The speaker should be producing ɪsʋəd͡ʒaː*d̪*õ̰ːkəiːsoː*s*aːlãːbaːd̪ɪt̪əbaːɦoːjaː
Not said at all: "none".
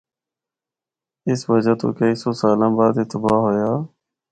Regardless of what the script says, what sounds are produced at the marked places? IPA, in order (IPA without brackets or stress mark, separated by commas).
t̪, s